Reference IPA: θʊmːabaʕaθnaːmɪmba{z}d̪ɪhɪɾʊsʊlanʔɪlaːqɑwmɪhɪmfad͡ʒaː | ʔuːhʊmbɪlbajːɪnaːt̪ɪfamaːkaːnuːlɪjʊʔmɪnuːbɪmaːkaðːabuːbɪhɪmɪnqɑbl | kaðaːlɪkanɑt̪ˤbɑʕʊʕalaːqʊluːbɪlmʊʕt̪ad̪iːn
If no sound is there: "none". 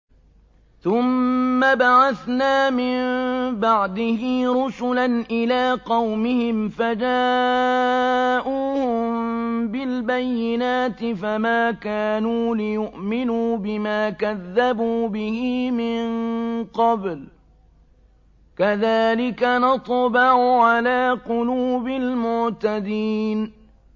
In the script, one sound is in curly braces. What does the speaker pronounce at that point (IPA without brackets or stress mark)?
ʕ